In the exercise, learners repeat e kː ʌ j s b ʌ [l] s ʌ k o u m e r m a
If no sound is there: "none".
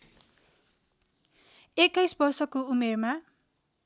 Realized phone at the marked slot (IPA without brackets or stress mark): r